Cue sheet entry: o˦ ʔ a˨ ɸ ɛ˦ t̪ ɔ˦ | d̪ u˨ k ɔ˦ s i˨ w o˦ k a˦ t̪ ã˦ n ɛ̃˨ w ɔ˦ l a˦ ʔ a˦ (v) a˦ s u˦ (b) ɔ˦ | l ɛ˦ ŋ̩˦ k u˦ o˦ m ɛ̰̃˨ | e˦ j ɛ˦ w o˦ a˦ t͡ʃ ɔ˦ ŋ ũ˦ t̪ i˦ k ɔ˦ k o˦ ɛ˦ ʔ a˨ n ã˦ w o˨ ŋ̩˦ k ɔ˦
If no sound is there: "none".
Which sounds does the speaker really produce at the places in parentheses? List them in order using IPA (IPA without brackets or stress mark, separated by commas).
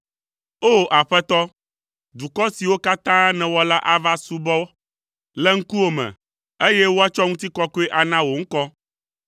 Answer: v, b